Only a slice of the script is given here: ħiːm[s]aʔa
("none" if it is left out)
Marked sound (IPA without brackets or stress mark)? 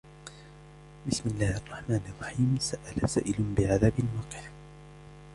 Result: s